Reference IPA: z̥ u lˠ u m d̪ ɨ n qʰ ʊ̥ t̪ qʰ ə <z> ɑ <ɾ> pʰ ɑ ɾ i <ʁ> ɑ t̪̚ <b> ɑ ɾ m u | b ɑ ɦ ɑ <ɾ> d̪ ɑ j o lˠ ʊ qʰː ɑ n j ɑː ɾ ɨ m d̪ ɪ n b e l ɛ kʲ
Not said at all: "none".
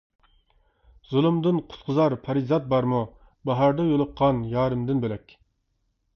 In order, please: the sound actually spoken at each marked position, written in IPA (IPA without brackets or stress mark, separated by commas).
z, ɾ, z, b, ɾ